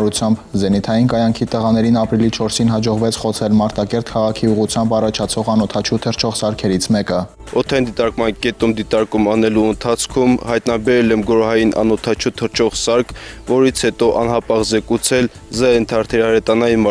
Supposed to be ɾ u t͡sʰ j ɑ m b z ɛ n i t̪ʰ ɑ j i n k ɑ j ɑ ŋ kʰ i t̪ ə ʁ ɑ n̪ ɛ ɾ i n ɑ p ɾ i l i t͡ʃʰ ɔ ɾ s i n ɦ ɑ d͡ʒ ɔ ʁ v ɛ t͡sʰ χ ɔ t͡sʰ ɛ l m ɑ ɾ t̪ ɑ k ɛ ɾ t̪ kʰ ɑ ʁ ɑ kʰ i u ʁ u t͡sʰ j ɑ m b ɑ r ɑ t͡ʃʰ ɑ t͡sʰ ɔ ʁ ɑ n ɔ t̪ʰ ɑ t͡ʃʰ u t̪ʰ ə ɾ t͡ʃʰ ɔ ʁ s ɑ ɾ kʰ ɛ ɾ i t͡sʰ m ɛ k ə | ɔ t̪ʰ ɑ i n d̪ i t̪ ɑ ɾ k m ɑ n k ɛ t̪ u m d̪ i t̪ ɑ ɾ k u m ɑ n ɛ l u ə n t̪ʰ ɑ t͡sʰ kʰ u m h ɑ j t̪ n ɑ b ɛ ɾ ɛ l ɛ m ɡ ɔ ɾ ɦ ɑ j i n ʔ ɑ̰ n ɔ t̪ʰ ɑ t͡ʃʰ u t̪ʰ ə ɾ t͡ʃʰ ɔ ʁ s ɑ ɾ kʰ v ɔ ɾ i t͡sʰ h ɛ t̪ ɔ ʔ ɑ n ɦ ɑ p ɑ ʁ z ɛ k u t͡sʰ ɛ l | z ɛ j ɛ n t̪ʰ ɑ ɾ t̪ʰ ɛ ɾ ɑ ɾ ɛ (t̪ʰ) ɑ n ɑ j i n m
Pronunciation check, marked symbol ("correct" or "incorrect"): incorrect